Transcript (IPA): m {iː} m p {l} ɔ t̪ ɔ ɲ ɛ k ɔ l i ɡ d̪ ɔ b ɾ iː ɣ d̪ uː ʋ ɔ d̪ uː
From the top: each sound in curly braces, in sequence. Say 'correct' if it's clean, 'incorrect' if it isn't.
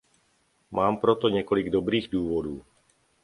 incorrect, incorrect

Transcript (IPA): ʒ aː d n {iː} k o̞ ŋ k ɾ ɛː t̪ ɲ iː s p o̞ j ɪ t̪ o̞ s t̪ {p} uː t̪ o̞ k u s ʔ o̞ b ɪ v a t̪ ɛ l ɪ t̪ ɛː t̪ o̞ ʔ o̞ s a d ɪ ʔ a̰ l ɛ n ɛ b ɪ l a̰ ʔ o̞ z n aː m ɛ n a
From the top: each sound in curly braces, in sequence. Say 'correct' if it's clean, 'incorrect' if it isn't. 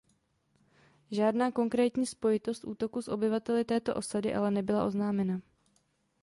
incorrect, incorrect

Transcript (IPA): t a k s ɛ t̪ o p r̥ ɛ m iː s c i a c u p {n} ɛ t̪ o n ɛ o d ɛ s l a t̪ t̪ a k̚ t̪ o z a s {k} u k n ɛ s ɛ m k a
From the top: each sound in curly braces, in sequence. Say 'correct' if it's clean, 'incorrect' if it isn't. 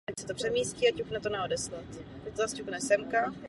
correct, incorrect

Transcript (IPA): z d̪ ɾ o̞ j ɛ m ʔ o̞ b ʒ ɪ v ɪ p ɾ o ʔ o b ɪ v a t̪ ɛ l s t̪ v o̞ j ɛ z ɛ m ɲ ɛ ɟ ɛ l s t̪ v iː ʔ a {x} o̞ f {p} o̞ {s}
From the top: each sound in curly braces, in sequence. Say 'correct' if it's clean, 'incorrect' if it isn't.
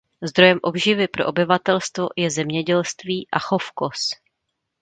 correct, incorrect, correct

